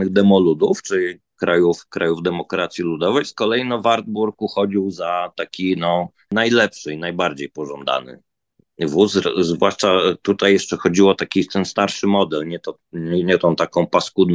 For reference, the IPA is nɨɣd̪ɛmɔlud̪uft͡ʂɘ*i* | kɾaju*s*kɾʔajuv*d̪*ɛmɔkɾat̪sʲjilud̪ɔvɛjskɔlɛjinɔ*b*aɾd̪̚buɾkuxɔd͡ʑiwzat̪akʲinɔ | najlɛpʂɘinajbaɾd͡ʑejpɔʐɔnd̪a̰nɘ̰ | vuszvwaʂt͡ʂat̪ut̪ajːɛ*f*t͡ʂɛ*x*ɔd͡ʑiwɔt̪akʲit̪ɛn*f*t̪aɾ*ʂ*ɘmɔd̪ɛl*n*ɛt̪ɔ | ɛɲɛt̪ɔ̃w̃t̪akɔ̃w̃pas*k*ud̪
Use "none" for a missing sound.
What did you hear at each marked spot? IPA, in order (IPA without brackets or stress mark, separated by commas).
i, f, d̪, v, ʂ, x, s, ʂ, ɲ, k